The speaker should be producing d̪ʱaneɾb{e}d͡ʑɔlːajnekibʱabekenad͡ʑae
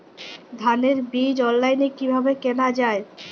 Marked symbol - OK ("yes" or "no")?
no